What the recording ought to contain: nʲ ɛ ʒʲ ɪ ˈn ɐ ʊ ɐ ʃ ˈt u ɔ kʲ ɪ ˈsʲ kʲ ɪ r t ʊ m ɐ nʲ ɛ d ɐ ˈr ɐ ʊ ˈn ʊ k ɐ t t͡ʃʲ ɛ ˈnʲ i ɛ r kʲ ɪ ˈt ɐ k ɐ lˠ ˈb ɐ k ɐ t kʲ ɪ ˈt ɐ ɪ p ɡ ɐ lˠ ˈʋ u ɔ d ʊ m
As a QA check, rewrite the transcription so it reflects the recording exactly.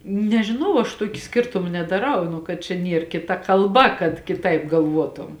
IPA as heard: nʲ ɛ ʒʲ ɪ ˈn ɐ ʊ ɐ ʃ ˈt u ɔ kʲ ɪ ˈsʲ kʲ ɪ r t ʊ m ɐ nʲ ɛ d ɐ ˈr ɐ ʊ ˈn ʊ k ɐ t t͡ʃʲ ɛ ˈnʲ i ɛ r kʲ ɪ ˈt ɐ k ɐ lˠ ˈb ɐ k ɐ t kʲ ɪ ˈt ɐ ɪ p ɡ ɐ lˠ ˈʋ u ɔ t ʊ m